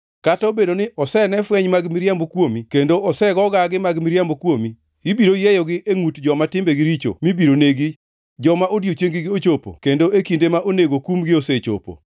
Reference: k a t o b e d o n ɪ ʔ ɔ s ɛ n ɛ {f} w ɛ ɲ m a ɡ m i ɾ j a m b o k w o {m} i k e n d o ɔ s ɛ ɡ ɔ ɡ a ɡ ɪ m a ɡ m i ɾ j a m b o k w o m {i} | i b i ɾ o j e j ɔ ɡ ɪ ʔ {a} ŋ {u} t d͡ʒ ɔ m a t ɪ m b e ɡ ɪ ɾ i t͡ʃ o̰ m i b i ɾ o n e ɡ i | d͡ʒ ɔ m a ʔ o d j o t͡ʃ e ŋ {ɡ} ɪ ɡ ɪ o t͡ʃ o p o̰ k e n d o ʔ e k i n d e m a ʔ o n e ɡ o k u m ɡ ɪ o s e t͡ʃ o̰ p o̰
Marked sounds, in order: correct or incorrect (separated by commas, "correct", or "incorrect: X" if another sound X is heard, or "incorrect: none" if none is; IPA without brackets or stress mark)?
correct, correct, correct, incorrect: e, correct, correct